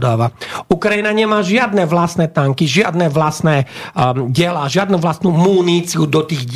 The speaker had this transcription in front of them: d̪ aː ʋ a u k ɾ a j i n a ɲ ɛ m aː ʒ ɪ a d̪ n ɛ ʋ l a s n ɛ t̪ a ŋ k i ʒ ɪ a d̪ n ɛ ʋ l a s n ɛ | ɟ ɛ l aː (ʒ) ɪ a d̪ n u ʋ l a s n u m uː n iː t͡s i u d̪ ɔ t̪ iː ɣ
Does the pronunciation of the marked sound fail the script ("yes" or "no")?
no